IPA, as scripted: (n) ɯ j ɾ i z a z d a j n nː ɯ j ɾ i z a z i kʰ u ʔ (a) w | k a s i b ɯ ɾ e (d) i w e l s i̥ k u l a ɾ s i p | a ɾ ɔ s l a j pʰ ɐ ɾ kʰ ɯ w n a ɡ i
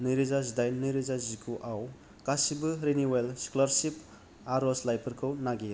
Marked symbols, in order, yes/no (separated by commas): yes, yes, no